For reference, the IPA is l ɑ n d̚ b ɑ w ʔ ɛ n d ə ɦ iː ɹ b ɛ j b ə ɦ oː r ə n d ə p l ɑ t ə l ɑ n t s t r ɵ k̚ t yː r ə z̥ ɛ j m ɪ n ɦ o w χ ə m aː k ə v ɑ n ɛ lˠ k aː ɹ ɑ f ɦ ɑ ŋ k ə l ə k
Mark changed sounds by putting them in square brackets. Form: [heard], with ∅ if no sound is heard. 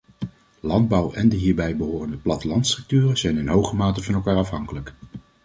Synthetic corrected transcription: l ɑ n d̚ b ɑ w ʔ ɛ n d ə ɦ iː ɹ b ɛ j b ə ɦ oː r ə n d ə p l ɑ t ə l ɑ n t s t r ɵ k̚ t yː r ə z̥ ɛ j [n] ɪ n ɦ o w χ ə m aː [t] ə v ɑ n ɛ lˠ k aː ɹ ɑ f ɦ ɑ ŋ k ə l ə k